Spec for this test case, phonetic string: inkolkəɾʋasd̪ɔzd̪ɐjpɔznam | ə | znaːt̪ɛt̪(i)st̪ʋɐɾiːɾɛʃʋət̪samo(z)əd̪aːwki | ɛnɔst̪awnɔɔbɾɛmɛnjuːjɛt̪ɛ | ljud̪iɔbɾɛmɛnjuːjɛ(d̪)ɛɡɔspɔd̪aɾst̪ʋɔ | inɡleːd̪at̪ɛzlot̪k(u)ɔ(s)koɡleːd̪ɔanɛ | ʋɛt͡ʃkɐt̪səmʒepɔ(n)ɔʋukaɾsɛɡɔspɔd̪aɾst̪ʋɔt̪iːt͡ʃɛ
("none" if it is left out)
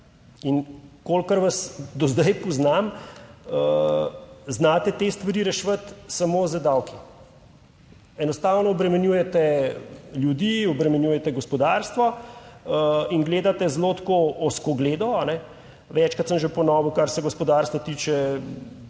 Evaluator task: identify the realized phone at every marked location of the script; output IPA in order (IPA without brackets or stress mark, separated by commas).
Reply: e, z, t̪, o, s, n